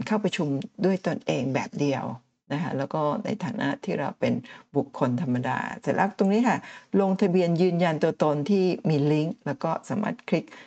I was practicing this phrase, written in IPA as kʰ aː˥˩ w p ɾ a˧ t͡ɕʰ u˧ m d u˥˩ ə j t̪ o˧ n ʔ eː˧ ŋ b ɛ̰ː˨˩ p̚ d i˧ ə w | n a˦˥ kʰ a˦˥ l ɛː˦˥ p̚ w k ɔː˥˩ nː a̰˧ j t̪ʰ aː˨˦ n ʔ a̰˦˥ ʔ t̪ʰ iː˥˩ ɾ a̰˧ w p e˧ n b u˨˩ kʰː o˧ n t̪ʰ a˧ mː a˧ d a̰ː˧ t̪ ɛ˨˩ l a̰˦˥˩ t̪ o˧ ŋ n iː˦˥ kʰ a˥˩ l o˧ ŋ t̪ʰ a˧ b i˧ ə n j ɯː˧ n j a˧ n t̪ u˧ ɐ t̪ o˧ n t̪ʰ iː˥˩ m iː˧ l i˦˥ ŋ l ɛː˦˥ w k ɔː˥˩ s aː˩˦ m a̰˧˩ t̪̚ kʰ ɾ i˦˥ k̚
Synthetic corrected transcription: kʰ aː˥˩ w p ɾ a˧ t͡ɕʰ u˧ m d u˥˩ ə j t̪ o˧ n ʔ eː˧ ŋ b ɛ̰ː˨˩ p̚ d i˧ ə w | n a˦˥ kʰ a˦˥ l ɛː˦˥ w k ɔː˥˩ n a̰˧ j t̪ʰ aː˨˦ n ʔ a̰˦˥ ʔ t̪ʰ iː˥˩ ɾ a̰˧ w p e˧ n b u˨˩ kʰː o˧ n t̪ʰ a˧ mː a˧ d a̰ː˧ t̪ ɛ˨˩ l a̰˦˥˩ t̪ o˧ ŋ n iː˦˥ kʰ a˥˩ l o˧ ŋ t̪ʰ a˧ b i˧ ə n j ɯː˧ n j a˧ n t̪ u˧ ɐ t̪ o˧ n t̪ʰ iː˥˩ m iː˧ l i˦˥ ŋ l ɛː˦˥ w k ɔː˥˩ s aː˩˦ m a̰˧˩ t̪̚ kʰ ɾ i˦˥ k̚